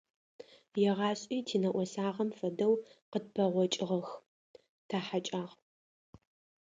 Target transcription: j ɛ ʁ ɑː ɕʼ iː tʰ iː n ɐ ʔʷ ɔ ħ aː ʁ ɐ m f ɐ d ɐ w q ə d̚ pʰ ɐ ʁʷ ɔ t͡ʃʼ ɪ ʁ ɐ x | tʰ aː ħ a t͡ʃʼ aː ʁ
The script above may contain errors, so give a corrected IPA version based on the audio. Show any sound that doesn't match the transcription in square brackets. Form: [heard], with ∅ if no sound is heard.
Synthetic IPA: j ɛ ʁ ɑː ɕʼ iː tʰ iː n ɐ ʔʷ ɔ [s] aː ʁ ɐ m f ɐ d ɐ w q ə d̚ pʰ ɐ ʁʷ ɔ t͡ʃʼ ɪ ʁ ɐ x | tʰ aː ħ a t͡ʃʼ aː ʁ

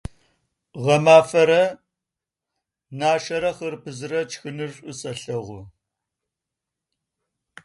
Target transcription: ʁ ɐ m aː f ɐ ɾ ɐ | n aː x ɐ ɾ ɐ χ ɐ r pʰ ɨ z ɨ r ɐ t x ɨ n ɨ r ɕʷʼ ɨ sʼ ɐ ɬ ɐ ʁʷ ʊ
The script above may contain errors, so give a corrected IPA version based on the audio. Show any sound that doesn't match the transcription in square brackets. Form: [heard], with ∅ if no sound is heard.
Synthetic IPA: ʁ ɐ m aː f ɐ ɾ ɐ | n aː [ʃ] ɐ ɾ ɐ χ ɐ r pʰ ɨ z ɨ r ɐ [t͡ʃ] x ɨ n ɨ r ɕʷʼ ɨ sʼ ɐ ɬ ɐ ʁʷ ʊ

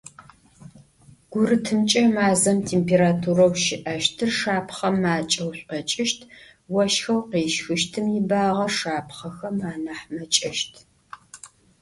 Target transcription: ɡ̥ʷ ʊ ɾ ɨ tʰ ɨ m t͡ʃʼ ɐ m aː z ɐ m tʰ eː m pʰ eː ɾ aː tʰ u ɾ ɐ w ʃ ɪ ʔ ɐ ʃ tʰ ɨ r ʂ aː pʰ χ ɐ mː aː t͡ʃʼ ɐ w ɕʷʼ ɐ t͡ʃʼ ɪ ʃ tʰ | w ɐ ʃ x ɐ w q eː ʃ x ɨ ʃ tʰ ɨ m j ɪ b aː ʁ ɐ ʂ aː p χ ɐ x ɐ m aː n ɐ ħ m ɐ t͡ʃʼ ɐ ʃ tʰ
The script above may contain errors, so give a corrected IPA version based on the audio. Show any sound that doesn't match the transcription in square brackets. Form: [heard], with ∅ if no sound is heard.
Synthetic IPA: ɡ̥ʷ ʊ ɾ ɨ tʰ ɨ m t͡ʃʼ ɐ m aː z ɐ m tʰ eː m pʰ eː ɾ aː tʰ u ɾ ɐ w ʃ ɪ ʔ ɐ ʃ tʰ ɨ r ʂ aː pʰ χ ɐ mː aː t͡ʃʼ ɐ w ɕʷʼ ɐ t͡ʃʼ ɪ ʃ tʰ | w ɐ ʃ x ɐ w q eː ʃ x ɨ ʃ tʰ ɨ m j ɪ b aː ʁ ɐ ʂ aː p χ ɐ x ɐ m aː n ɐ ħ m ɐ t͡ʃʼ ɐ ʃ tʰ

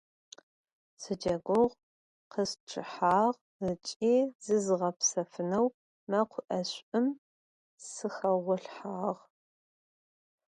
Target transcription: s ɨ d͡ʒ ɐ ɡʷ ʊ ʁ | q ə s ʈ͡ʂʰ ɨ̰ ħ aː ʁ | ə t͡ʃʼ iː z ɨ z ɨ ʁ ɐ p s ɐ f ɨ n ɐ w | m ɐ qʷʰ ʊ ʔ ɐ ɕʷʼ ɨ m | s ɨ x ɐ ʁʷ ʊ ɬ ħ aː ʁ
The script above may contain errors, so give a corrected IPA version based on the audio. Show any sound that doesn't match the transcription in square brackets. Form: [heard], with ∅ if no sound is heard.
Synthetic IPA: s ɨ d͡ʒ ɐ ɡʷ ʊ ʁ | q ə s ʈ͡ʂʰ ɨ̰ ħ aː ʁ | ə t͡ʃʼ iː z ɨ z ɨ ʁ ɐ p s ɐ f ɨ n ɐ w | m ɐ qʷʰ ʊ ʔ ɐ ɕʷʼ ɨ m | s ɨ x ɐ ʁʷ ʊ ɬ ħ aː ʁ

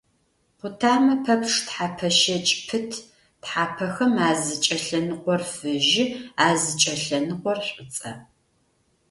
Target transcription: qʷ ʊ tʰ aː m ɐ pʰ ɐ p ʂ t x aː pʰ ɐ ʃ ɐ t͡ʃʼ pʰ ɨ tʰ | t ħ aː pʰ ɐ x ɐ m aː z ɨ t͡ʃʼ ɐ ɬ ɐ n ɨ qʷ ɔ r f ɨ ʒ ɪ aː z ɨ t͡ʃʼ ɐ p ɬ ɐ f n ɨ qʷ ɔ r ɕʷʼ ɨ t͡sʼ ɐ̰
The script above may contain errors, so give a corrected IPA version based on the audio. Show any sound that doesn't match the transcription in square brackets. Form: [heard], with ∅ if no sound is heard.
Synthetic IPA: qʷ ʊ tʰ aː m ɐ pʰ ɐ p ʂ t [ħ] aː pʰ ɐ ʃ ɐ t͡ʃʼ pʰ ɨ tʰ | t ħ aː pʰ ɐ x ɐ m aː z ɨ t͡ʃʼ ɐ ɬ ɐ n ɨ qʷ ɔ r f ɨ ʒ ɪ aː z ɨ t͡ʃʼ ɐ [∅] ɬ ɐ [∅] n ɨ qʷ ɔ r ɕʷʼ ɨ t͡sʼ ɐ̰

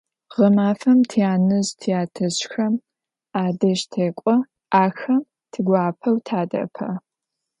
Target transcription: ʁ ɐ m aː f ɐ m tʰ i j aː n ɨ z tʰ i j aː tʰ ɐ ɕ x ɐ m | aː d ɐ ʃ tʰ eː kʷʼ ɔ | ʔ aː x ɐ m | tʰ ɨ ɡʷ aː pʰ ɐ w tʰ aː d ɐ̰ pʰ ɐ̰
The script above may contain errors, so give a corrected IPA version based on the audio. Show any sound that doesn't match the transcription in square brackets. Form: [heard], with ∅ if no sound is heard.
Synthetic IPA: ʁ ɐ m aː f ɐ m tʰ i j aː n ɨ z tʰ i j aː tʰ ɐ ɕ x ɐ m | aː d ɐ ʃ tʰ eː kʷʼ ɔ | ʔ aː x ɐ m | tʰ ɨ ɡʷ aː pʰ ɐ w tʰ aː d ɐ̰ pʰ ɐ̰

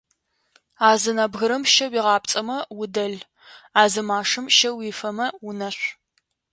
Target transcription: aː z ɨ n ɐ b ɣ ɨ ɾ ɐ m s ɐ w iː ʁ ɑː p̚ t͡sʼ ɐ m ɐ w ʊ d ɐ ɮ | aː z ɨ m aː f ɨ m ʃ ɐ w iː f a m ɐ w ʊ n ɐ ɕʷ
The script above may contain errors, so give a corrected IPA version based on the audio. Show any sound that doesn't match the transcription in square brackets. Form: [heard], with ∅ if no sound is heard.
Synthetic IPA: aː z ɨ n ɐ b ɣ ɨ ɾ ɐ m [ʃ] ɐ w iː ʁ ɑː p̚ t͡sʼ ɐ m ɐ w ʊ d ɐ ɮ | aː z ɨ m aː [ʂ] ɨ m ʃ ɐ w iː f [ɐ] m ɐ w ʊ n ɐ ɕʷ

